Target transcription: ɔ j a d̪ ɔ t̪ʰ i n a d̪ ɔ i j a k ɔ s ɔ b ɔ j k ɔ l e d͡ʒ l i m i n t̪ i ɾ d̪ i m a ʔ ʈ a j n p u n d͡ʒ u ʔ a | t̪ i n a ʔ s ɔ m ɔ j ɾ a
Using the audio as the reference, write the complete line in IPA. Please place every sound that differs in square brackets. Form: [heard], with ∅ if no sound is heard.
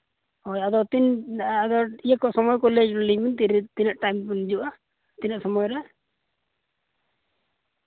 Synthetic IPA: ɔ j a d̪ ɔ [t̪] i n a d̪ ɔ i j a k ɔ s ɔ [m] ɔ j k ɔ l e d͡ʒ l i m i n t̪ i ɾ [t̪] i [n] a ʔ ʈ a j [m] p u n d͡ʒ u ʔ a | t̪ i n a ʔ s ɔ m ɔ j ɾ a

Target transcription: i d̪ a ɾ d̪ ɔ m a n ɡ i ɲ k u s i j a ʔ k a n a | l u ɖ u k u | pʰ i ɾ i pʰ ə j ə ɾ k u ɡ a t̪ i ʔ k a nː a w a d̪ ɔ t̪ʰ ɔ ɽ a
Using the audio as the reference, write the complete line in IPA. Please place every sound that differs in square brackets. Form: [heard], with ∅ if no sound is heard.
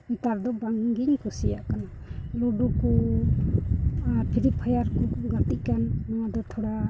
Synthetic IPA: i [t̪] a ɾ d̪ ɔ [b] a [ŋ] ɡ i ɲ k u s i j a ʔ k a n a | l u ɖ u k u | pʰ i ɾ i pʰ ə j [a] ɾ k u ɡ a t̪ i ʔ k a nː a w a d̪ ɔ t̪ʰ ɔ ɽ a

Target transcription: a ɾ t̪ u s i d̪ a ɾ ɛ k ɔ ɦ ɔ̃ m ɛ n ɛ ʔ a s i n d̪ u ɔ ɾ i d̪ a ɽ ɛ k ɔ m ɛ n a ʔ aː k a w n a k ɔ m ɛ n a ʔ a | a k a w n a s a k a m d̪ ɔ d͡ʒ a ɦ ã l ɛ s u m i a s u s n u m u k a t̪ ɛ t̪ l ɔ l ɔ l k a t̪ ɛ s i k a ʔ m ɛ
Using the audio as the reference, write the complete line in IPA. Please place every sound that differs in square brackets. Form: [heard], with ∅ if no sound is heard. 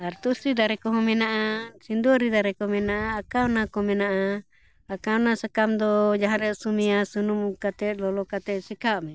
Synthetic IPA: a ɾ t̪ u s i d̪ a ɾ ɛ k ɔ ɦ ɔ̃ m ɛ n [a] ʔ a s i n d̪ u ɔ ɾ i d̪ a [ɾ] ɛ k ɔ m ɛ n a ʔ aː k a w n a k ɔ m ɛ n a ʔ a | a k a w n a s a k a m d̪ ɔ d͡ʒ a ɦ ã [ɾ] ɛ s u m i a s u [∅] n u m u k a t̪ ɛ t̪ l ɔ l ɔ [∅] k a t̪ ɛ s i k a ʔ m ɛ

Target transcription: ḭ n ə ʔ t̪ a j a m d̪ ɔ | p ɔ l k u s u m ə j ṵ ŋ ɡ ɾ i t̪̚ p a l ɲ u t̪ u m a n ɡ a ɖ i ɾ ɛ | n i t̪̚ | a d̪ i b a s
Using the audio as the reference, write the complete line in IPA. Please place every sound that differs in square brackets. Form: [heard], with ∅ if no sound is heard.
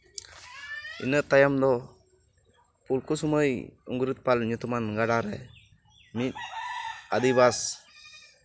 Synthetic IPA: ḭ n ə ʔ t̪ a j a m d̪ ɔ | p [u] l k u s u m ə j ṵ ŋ ɡ ɾ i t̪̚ p a l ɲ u t̪ u m a n ɡ a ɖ [a] ɾ ɛ | [m] i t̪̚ | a d̪ i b a s

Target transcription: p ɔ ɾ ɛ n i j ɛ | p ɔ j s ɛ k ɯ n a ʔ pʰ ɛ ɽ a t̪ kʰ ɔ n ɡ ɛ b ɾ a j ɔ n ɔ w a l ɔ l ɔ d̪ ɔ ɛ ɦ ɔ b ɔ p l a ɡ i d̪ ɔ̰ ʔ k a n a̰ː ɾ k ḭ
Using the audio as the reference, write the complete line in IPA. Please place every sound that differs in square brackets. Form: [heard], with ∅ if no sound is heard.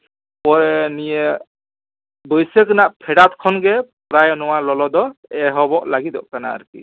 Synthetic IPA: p ɔ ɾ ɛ n i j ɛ | [b] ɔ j s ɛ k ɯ n a ʔ pʰ ɛ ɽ a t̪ kʰ ɔ n ɡ ɛ [p] ɾ a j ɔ n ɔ w a l ɔ l ɔ d̪ ɔ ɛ ɦ ɔ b ɔ [ʔ] l a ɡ i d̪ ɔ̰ ʔ k a n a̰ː ɾ k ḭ

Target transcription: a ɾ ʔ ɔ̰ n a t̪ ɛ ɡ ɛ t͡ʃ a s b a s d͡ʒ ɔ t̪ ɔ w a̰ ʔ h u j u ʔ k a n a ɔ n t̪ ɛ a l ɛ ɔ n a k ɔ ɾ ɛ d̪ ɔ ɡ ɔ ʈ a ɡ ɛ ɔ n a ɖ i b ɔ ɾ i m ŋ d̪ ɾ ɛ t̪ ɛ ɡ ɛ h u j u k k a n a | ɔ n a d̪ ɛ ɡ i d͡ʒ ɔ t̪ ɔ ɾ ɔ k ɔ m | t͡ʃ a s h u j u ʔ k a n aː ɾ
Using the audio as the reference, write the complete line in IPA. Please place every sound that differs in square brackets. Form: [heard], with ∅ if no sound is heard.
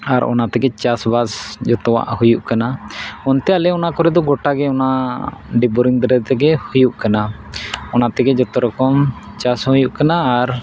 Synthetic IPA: a ɾ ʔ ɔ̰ n a t̪ ɛ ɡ ɛ t͡ʃ a s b a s d͡ʒ ɔ t̪ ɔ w a̰ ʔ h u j u ʔ k a n a ɔ n t̪ ɛ a l ɛ ɔ n a k ɔ ɾ ɛ d̪ ɔ ɡ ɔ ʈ a ɡ ɛ ɔ n a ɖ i b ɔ ɾ i [∅] ŋ d̪ ɾ ɛ t̪ ɛ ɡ ɛ h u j u [ʔ] k a n a | ɔ n a [t̪] ɛ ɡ [ɛ] d͡ʒ ɔ t̪ ɔ ɾ ɔ k ɔ m | t͡ʃ a s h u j u ʔ k a n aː ɾ

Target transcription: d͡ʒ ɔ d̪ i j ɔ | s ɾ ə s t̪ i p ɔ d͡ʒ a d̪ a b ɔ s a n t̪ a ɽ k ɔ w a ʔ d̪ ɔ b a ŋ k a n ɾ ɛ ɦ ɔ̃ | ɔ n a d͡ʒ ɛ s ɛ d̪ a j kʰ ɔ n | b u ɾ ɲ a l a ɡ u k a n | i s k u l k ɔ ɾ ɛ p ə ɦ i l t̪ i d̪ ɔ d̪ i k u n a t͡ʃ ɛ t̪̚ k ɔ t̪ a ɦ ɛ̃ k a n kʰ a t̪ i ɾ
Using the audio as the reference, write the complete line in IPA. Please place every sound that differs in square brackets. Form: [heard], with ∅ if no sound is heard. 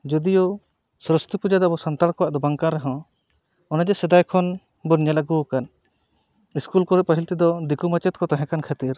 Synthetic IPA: d͡ʒ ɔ d̪ i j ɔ | s ɾ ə s t̪ i p [u] d͡ʒ a d̪ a b ɔ s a n t̪ a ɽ k ɔ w a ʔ d̪ ɔ b a ŋ k a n ɾ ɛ ɦ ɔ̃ | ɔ n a d͡ʒ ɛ s ɛ d̪ a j kʰ ɔ n | b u ɾ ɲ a l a ɡ u k a n | i s k u l k ɔ ɾ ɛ p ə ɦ i l t̪ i d̪ ɔ d̪ i k u [m] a t͡ʃ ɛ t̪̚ k ɔ t̪ a ɦ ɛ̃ k a n kʰ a t̪ i ɾ

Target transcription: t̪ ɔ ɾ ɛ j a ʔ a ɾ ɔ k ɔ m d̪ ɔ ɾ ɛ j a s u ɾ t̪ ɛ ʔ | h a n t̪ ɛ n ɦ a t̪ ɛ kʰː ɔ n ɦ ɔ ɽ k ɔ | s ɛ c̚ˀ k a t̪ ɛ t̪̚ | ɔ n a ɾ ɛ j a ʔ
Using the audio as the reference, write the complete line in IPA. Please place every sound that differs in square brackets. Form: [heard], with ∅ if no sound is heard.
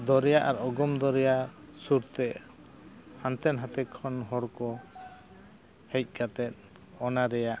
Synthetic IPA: [d̪] ɔ ɾ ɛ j a ʔ a ɾ ɔ [ɡ] ɔ m d̪ ɔ ɾ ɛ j a s u ɾ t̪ ɛ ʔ | h a n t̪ ɛ n ɦ a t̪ ɛ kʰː ɔ n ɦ ɔ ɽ k ɔ | [h] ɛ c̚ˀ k a t̪ ɛ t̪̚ | ɔ n a ɾ ɛ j a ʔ

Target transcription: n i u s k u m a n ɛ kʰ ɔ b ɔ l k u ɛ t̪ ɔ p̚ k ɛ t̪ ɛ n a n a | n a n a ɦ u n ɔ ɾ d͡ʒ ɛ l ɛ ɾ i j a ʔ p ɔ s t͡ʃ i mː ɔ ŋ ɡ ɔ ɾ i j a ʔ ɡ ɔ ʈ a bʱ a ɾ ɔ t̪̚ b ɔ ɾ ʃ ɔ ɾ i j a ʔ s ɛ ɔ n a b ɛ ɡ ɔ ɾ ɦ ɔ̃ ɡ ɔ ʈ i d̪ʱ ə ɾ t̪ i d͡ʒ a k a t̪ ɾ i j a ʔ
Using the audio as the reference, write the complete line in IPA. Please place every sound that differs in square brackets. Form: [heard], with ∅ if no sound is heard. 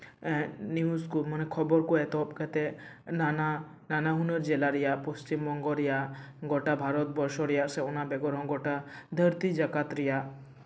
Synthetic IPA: n i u s k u m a n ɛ kʰ ɔ b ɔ [ɾ] k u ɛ t̪ ɔ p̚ k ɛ t̪ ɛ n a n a | n a n a ɦ u n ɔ ɾ d͡ʒ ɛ l [a] ɾ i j a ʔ p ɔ s t͡ʃ i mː ɔ ŋ ɡ ɔ ɾ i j a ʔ ɡ ɔ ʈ a bʱ a ɾ ɔ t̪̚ b ɔ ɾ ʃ ɔ ɾ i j a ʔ s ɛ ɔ n a b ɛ ɡ ɔ ɾ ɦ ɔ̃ ɡ ɔ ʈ [a] d̪ʱ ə ɾ t̪ i d͡ʒ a k a t̪ ɾ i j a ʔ

